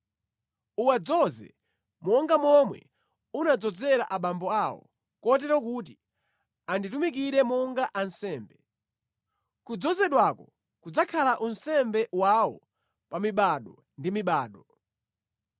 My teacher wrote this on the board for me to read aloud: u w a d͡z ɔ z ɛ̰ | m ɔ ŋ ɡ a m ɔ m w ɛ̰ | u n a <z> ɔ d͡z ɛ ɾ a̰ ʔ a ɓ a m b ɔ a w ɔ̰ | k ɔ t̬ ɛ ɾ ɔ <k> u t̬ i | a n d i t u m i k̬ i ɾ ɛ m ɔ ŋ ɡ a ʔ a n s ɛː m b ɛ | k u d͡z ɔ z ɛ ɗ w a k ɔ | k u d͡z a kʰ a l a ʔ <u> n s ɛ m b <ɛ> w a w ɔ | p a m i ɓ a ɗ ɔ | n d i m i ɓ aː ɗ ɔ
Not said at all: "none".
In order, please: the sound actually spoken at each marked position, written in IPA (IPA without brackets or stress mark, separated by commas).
d͡z, k, u, ɛ